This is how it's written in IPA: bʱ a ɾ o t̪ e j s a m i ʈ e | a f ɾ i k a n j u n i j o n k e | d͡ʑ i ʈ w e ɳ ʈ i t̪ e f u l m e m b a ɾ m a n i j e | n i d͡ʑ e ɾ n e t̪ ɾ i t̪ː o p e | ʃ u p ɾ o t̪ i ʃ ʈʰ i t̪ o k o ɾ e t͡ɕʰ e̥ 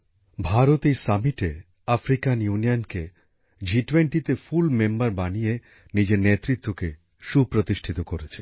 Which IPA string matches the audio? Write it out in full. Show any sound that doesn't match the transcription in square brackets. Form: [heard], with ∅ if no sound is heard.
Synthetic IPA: bʱ a ɾ o t̪ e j s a m i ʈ e | a f ɾ i k a n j u n i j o n k e | d͡ʑ i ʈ w e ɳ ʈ i t̪ e f u l m e m b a ɾ [b] a n i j e | n i d͡ʑ e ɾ n e t̪ ɾ i t̪ː o [k] e | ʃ u p ɾ o t̪ i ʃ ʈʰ i t̪ o k o ɾ e t͡ɕʰ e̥